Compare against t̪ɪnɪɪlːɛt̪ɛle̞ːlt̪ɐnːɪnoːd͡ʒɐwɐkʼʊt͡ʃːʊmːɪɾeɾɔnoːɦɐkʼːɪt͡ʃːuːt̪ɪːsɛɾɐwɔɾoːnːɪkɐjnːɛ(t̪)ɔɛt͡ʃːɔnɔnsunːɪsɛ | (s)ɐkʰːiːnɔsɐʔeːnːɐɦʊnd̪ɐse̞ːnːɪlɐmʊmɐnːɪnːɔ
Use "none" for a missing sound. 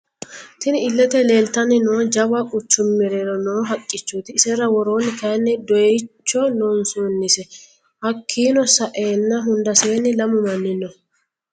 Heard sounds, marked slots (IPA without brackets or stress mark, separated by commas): d̪, h